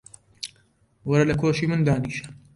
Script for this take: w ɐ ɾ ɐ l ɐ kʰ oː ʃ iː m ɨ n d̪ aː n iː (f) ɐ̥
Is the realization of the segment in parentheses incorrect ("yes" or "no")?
yes